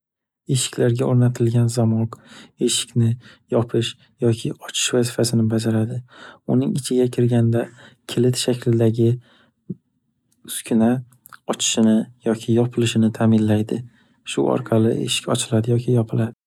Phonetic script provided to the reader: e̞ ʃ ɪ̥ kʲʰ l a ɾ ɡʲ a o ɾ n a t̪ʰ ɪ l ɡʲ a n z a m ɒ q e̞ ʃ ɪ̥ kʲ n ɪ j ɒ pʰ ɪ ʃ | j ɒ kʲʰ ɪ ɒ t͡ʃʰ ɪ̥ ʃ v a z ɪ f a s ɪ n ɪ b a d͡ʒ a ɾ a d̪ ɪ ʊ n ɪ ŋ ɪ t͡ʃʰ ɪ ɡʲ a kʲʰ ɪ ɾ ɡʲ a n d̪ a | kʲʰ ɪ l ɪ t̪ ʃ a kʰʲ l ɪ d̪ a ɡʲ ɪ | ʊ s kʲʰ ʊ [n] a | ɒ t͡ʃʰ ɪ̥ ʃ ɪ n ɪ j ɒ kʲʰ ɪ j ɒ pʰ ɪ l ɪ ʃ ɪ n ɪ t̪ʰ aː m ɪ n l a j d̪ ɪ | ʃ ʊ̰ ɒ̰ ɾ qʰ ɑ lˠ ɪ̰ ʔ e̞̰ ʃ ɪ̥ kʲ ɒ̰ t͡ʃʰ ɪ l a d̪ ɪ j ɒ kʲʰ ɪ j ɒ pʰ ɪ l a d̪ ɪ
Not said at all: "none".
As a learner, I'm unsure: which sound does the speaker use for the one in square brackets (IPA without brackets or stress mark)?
n